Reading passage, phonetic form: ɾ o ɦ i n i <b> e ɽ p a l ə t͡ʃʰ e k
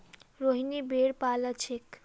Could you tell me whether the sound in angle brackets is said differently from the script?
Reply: no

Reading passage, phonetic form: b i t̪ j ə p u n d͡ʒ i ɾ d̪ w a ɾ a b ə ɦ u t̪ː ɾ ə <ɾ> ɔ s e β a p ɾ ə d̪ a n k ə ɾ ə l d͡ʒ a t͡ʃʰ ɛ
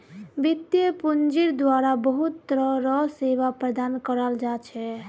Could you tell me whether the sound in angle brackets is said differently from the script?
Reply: no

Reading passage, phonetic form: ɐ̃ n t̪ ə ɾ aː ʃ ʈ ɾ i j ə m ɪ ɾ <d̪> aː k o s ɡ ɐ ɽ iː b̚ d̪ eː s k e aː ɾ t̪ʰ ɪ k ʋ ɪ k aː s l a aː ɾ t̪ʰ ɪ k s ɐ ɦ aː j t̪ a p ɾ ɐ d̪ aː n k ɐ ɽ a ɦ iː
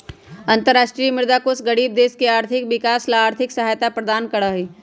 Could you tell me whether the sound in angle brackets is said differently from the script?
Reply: no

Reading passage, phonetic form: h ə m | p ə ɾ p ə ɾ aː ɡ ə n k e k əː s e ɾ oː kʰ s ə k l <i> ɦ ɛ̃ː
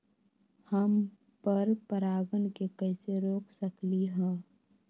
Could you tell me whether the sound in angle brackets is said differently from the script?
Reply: no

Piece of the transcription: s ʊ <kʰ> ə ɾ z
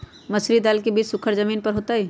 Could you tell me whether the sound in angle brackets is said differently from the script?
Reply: no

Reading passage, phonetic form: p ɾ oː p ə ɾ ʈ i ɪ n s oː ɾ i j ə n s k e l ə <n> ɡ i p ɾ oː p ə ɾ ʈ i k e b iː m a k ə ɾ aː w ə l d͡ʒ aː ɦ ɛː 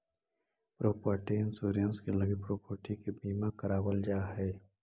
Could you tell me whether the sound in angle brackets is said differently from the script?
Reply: yes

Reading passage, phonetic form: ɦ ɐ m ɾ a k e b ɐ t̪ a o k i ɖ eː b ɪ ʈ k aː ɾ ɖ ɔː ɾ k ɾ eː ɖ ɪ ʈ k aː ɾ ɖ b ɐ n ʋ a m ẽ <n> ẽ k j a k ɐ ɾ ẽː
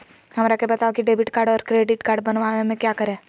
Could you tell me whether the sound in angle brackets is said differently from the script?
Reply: yes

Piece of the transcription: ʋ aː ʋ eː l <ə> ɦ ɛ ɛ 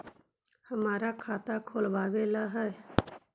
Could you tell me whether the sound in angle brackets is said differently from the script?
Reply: yes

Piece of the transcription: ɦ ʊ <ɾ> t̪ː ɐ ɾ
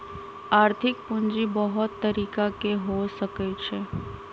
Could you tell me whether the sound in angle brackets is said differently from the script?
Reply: yes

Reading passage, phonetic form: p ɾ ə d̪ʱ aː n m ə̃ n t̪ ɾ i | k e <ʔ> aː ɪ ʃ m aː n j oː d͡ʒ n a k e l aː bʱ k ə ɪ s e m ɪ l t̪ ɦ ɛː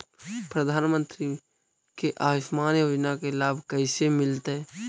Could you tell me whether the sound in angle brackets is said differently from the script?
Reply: no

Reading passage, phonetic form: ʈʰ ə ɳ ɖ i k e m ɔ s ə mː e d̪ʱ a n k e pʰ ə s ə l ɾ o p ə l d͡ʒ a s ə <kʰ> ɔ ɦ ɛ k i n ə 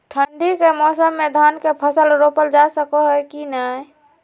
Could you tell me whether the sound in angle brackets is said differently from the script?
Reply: yes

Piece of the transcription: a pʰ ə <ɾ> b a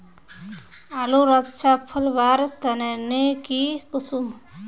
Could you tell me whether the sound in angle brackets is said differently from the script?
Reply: yes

